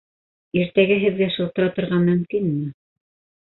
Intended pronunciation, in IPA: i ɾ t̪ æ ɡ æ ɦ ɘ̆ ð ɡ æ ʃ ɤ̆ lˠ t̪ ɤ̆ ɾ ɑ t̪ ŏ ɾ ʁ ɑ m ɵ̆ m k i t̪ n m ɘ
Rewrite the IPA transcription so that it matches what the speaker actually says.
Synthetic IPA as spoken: i ɾ t̪ æ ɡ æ ɦ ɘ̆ ð ɡ æ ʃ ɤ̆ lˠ t̪ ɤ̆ ɾ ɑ t̪ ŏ ɾ ʁ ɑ m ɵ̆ m k i n m ɘ